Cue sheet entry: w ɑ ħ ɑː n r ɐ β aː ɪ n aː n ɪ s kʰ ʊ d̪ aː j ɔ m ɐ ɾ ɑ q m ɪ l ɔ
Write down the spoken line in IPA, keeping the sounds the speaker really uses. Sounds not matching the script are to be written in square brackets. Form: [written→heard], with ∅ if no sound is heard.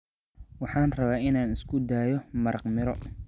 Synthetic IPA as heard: w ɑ ħ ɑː n r ɐ β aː ɪ n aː n ɪ s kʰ ʊ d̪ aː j ɔ m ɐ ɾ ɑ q m ɪ [l→ɾ] ɔ